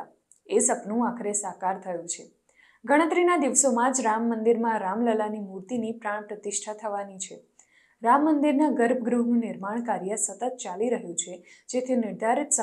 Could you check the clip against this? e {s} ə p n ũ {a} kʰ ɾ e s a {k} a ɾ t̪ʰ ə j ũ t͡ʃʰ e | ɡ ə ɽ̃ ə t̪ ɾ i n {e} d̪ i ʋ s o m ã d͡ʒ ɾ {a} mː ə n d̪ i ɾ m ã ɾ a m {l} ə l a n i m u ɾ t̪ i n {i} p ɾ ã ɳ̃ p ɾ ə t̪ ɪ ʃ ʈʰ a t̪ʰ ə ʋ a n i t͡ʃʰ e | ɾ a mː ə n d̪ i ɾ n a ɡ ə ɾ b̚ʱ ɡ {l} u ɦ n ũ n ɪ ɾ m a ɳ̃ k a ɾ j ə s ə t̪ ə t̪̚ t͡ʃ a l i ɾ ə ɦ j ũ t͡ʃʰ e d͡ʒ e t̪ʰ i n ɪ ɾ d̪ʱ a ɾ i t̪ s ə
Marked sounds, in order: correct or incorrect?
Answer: correct, correct, correct, incorrect, correct, correct, correct, incorrect

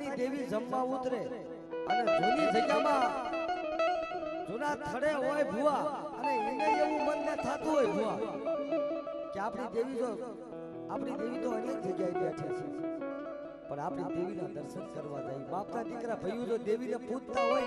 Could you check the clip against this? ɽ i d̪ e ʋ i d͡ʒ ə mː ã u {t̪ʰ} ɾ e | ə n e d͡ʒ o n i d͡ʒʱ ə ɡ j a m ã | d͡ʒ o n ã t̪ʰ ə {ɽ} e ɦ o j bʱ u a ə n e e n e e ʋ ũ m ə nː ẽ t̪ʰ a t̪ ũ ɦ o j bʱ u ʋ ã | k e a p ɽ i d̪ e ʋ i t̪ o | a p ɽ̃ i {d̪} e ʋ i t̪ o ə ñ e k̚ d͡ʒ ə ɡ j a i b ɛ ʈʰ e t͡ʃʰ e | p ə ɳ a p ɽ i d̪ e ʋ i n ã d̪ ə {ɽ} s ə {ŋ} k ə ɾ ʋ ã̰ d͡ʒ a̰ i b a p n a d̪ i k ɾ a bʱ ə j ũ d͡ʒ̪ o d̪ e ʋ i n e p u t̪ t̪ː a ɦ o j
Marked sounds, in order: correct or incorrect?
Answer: incorrect, correct, correct, incorrect, incorrect

